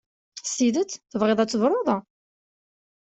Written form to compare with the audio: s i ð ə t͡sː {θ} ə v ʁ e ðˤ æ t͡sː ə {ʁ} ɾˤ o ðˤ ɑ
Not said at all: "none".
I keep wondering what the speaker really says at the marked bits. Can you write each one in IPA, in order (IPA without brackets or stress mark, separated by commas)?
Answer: θ, v